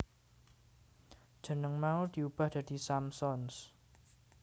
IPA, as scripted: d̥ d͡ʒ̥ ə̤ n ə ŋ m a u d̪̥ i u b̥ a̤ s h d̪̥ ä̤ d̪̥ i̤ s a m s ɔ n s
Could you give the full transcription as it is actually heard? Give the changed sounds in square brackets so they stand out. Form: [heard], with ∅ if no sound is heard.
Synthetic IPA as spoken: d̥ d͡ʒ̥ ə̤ n ə ŋ m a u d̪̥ i u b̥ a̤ [∅] h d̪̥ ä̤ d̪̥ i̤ s a m s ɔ n s